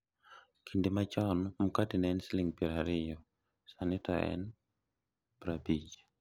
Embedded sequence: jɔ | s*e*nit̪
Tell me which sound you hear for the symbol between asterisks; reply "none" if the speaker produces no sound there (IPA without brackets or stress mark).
a